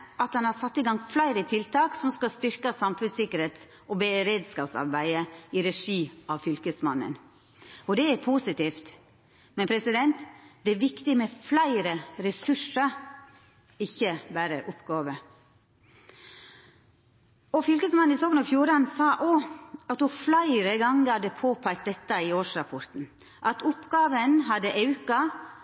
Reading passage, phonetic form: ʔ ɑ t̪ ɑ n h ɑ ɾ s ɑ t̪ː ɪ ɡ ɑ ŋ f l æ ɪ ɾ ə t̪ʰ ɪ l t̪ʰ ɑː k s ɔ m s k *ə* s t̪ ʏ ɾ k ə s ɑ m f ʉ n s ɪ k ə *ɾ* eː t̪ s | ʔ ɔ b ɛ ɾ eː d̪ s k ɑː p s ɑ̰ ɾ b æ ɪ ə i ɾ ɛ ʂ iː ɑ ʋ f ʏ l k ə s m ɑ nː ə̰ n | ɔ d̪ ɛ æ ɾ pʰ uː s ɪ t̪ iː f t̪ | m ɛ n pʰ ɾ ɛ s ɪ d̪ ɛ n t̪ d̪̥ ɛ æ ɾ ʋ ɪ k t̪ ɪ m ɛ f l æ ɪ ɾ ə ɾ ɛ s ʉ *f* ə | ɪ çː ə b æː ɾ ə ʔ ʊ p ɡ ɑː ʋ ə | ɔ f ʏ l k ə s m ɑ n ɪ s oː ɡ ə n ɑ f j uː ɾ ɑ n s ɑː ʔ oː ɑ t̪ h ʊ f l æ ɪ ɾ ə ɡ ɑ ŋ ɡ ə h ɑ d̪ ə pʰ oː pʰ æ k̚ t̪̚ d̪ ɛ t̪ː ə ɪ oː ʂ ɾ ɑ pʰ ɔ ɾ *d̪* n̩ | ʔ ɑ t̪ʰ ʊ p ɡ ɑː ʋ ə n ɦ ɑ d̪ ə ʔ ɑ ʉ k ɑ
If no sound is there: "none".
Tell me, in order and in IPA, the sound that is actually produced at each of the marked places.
ɑ, ɾ, ʂ, t̪

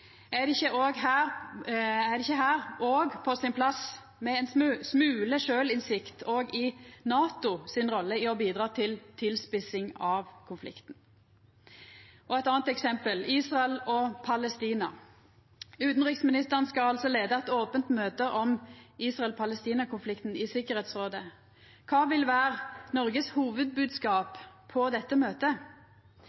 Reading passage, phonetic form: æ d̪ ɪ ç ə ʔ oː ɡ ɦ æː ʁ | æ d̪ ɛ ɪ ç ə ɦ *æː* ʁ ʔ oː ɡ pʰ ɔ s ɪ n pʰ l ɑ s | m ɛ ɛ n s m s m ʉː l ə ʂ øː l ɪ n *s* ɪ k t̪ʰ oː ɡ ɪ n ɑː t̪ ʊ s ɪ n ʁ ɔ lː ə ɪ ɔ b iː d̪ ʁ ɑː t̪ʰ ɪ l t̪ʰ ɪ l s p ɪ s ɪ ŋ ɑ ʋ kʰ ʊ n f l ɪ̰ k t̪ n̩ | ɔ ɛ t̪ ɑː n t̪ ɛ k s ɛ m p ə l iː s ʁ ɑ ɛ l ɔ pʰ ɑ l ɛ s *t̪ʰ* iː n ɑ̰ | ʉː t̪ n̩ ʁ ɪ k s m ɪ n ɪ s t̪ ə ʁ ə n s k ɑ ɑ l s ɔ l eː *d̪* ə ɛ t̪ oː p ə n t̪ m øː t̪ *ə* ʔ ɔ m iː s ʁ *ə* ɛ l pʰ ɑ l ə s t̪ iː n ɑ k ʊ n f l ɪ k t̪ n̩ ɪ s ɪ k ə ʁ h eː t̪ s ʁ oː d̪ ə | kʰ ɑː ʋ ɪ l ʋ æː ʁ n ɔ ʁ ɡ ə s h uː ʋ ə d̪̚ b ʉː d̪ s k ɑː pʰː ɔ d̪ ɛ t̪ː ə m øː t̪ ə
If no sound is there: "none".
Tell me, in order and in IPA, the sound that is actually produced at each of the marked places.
æː, s, t̪, d̪, ə, ɑ

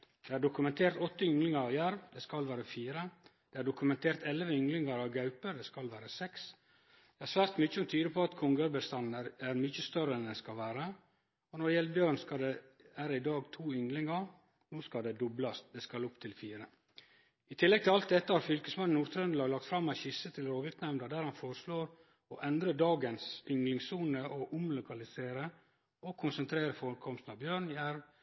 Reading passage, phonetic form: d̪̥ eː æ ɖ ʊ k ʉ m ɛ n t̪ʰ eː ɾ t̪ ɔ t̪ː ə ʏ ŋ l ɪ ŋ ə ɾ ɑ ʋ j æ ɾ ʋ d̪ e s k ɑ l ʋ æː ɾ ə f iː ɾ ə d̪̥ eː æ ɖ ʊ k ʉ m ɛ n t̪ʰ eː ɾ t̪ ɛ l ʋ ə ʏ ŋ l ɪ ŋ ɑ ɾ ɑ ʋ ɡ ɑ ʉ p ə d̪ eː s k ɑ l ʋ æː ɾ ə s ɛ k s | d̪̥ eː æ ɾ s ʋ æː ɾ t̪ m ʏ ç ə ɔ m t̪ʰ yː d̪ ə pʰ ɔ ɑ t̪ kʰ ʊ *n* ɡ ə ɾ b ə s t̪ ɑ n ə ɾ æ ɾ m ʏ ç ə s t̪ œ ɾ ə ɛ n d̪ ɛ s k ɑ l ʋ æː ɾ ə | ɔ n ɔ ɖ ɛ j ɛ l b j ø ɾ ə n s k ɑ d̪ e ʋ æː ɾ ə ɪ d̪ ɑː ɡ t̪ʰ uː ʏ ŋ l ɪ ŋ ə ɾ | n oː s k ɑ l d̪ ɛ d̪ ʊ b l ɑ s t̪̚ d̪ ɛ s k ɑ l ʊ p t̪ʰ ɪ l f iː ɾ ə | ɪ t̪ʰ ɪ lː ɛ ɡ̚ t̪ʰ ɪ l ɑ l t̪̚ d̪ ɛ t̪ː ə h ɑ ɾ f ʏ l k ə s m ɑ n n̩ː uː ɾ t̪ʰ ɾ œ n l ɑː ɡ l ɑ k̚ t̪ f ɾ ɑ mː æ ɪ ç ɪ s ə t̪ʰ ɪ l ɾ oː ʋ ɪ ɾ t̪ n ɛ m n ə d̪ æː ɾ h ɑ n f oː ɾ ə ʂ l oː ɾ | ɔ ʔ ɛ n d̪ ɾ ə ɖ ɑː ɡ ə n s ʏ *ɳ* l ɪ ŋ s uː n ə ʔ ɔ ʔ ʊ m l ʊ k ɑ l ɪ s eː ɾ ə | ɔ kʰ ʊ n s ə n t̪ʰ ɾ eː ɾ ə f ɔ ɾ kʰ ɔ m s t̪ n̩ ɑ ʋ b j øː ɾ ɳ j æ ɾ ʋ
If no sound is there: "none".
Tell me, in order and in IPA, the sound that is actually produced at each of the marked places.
ŋ, ŋ

